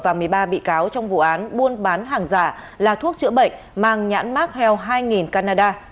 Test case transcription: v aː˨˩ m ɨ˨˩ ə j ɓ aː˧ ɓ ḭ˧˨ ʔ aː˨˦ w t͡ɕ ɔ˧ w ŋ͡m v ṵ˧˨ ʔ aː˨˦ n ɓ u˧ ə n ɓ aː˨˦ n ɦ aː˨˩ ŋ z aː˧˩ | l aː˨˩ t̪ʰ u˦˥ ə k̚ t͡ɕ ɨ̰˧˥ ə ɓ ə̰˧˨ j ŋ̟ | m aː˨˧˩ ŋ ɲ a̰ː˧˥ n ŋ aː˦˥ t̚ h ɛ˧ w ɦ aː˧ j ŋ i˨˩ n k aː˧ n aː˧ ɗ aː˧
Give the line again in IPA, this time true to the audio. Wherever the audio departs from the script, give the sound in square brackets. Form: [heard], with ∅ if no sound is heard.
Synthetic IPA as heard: v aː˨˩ m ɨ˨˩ ə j ɓ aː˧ ɓ ḭ˧˨ [k] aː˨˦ w t͡ɕ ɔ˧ w ŋ͡m v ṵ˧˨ ʔ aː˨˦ n ɓ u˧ ə n ɓ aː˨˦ n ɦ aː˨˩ ŋ z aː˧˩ | l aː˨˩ t̪ʰ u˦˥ ə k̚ t͡ɕ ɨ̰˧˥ ə ɓ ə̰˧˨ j ŋ̟ | m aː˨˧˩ ŋ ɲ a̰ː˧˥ n [m] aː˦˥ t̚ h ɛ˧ w ɦ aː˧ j ŋ i˨˩ n k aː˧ n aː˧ ɗ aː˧